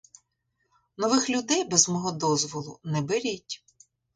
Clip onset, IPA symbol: n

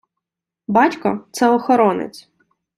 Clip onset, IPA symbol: b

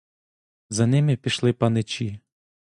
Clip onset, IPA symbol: z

